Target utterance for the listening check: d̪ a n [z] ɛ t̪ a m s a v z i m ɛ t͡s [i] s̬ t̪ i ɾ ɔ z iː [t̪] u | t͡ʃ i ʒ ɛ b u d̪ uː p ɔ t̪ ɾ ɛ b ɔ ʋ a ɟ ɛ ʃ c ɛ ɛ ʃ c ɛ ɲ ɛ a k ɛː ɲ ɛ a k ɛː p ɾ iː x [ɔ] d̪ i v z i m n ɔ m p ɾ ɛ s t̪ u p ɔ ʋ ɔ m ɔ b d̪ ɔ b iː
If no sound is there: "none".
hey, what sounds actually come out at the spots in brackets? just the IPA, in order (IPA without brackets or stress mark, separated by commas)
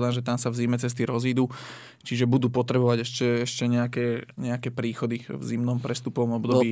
ʒ, ɛ, d̪, ɔ